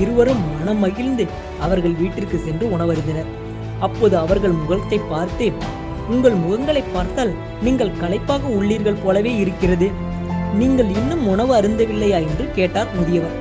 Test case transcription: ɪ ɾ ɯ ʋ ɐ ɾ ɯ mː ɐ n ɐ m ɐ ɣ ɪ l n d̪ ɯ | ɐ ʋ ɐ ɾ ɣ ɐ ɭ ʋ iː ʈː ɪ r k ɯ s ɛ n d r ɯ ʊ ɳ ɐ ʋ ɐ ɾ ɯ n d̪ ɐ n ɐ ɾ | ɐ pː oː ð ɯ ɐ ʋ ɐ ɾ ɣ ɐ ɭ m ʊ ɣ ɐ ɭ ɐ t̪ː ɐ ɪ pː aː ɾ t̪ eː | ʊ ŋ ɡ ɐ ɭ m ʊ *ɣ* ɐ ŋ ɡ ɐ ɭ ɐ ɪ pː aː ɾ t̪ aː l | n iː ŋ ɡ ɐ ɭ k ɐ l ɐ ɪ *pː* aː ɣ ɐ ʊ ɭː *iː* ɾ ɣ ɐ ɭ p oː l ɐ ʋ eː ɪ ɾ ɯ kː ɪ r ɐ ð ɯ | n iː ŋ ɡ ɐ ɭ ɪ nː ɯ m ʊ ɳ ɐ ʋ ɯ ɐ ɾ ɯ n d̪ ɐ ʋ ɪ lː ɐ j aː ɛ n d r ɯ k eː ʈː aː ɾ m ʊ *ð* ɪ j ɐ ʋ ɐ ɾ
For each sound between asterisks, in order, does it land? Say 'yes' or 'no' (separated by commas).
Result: yes, yes, yes, yes